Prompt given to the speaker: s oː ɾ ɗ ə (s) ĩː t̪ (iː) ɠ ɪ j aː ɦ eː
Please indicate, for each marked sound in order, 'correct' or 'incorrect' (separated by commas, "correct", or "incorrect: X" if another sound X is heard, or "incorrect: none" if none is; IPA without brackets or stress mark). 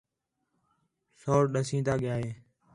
correct, incorrect: aː